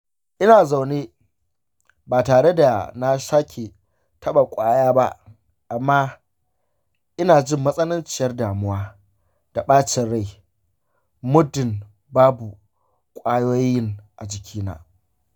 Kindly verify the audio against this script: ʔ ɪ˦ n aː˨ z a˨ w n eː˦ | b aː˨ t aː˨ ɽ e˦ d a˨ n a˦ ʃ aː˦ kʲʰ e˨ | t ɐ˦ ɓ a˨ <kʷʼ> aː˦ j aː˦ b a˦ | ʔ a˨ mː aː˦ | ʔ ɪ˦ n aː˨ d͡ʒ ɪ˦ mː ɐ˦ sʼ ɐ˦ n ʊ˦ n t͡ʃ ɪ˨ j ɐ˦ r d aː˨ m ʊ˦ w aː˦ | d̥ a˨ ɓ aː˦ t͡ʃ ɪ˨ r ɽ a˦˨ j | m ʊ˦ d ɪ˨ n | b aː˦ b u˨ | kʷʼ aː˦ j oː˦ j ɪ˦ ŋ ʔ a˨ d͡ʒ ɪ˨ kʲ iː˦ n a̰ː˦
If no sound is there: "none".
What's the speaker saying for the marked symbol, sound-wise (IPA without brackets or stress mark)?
kʷʼ